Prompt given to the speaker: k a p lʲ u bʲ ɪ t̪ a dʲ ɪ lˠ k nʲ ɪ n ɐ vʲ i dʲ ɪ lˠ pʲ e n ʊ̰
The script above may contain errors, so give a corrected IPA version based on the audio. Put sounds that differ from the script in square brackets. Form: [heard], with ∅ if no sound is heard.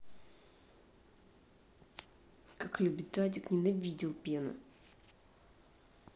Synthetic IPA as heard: k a [k] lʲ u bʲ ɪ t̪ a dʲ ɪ [∅] k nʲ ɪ n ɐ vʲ i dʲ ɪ lˠ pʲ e n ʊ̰

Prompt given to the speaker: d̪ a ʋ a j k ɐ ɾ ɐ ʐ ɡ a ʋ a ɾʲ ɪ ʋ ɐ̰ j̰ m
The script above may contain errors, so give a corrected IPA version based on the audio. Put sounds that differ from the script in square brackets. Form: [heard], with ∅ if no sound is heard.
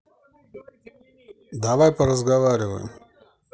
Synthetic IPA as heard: d̪ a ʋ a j [p] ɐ ɾ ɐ [z] ɡ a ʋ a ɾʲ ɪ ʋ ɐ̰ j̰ m

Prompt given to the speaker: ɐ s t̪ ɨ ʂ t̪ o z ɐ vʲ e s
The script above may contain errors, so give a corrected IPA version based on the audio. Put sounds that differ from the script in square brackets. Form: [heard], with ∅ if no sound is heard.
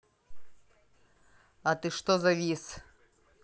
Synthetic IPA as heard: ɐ [∅] t̪ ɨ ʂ t̪ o z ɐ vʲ [i] s

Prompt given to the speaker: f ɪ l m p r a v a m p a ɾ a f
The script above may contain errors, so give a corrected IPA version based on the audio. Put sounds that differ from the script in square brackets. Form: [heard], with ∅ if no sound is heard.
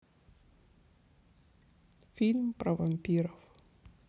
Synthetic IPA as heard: f [i] l m p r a v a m p [i] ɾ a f

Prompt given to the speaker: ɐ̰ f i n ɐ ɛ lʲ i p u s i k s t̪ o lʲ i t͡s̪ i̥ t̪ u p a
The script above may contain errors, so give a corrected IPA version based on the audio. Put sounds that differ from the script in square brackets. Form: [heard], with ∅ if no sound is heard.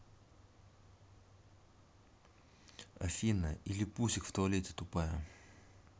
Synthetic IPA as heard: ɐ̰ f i n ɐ [i] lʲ i p u s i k [f] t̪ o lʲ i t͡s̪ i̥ t̪ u p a

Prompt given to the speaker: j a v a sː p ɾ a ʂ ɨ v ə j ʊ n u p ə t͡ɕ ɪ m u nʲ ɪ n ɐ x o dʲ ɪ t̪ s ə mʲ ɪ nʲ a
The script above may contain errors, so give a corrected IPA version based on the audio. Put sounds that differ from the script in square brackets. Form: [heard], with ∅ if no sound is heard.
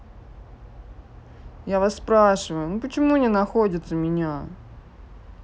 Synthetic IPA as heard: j a v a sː p ɾ a ʂ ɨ v ə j ʊ n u p ə t͡ɕ ɪ m u nʲ ɪ n ɐ x o dʲ ɪ t̪ s ə mʲ ɪ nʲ a

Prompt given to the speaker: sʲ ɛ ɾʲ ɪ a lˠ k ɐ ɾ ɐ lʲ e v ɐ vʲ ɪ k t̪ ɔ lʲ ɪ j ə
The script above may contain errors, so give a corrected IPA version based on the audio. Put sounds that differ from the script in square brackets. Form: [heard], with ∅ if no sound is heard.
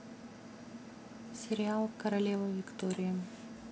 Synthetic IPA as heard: sʲ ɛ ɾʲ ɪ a lˠ k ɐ ɾ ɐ lʲ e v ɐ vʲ ɪ k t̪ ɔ [ɾʲ] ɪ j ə

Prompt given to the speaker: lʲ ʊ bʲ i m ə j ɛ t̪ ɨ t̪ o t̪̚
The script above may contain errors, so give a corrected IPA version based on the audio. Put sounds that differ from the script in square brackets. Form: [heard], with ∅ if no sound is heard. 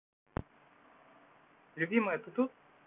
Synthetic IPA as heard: lʲ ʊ bʲ i m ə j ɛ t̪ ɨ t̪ [u] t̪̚

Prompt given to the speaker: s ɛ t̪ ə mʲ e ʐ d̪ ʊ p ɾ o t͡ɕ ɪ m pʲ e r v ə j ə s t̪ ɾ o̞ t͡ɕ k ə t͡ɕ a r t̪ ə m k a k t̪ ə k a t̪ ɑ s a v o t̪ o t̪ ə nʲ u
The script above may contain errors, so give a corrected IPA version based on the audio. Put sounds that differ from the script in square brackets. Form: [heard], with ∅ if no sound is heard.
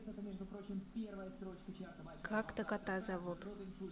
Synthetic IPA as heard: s ɛ t̪ ə mʲ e ʐ d̪ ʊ p ɾ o t͡ɕ ɪ m pʲ e r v ə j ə s t̪ ɾ o̞ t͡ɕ k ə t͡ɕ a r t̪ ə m k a k t̪ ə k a t̪ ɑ [z] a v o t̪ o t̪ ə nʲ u

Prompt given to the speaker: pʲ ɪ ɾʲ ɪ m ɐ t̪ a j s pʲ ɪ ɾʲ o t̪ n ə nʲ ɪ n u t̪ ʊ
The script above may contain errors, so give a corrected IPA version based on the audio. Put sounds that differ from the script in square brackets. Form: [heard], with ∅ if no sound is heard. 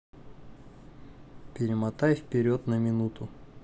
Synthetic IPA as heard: pʲ ɪ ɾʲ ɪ m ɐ t̪ a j [f] pʲ ɪ ɾʲ o t̪ n ə [mʲ] ɪ n u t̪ ʊ

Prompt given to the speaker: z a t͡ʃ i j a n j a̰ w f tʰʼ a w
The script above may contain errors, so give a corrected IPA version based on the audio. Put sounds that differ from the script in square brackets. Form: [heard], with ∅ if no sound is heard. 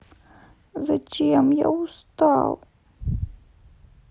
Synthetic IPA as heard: z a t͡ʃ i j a [m] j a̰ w [s] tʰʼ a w

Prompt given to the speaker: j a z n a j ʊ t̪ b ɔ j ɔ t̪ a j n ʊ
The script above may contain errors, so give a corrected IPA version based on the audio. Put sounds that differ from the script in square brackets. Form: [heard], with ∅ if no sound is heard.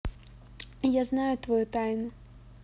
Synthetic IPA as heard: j a z n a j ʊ t̪ [v] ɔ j [u] t̪ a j n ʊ

